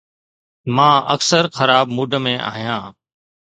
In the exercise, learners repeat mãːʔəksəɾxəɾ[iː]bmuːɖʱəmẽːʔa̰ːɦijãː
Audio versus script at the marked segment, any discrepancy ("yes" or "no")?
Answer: yes